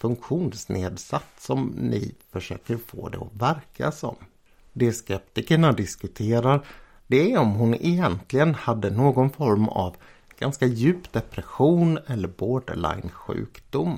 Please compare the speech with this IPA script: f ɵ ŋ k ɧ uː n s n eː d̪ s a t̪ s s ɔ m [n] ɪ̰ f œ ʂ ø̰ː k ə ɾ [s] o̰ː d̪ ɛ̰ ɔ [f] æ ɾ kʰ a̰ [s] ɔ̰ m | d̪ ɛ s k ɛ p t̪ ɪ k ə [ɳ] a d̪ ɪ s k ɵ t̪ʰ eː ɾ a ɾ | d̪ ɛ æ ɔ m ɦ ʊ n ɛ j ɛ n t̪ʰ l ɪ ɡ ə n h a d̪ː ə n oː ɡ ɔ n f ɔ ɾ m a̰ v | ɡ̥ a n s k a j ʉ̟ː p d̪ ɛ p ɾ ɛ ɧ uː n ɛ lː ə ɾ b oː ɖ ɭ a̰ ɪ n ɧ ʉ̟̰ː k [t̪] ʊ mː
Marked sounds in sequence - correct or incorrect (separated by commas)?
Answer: correct, incorrect, incorrect, correct, correct, incorrect